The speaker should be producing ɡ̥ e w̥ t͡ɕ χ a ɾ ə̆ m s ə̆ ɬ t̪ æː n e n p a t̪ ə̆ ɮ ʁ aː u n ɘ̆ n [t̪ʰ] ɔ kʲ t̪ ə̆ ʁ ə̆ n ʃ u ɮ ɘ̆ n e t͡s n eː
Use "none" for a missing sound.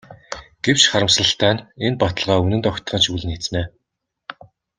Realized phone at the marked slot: t̪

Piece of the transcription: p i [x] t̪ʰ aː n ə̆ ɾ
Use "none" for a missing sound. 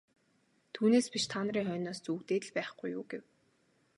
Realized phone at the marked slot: ʃ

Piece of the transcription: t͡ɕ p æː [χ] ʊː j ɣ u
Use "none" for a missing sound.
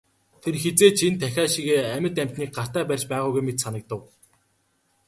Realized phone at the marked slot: ʁ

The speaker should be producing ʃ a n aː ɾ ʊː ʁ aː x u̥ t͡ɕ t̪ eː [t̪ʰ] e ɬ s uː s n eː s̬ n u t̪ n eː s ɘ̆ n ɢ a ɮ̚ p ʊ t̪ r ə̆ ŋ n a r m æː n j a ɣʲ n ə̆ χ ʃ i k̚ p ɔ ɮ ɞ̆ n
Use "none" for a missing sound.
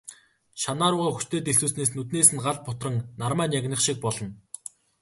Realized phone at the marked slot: t̪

